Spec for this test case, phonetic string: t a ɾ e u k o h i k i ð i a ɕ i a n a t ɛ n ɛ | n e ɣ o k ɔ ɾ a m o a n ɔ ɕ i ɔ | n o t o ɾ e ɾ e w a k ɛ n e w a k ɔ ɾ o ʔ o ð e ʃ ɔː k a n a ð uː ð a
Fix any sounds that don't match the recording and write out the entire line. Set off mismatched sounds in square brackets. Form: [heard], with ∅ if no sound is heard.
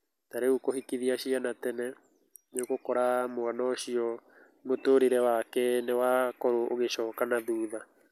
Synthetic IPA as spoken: t a ɾ e u k o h i k i ð i a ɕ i a n a t ɛ n ɛ | n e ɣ o k ɔ ɾ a m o a n ɔ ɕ i ɔ | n o t o ɾ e ɾ [ɛ] w a k ɛ n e w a k ɔ ɾ o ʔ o [ɣ] e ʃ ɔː k a n a ð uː ð a